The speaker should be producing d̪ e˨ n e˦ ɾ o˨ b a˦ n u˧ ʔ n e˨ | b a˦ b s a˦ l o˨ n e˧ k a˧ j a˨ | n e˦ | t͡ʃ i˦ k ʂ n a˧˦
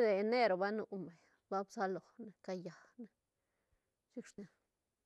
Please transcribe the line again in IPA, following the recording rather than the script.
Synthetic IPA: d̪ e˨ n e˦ ɾ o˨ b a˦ n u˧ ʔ m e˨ | b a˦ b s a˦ l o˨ n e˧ k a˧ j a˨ | n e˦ | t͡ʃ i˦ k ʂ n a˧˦